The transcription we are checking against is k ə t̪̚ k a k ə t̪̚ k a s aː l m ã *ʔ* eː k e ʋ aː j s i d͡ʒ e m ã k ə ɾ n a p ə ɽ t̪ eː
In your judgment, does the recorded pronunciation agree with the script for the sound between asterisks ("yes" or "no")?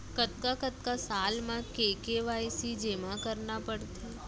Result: no